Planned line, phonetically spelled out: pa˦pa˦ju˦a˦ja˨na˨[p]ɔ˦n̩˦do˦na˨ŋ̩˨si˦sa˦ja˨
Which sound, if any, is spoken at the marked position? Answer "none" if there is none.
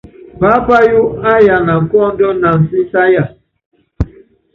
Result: k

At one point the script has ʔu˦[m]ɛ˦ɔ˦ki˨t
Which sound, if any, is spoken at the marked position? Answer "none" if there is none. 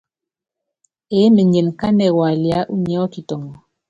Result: ɲ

